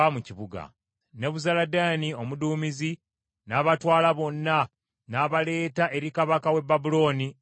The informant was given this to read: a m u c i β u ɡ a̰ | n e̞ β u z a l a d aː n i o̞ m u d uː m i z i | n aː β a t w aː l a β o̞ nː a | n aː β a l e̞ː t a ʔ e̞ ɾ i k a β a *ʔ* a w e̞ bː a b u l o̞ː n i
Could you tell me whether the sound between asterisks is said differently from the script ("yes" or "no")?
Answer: yes